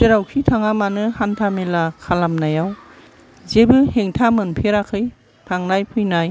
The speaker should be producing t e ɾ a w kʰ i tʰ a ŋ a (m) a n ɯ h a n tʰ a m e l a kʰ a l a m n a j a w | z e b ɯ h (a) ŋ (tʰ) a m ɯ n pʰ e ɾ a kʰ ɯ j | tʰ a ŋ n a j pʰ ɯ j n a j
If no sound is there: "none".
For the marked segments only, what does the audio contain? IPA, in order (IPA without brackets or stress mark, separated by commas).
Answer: m, e, tʰ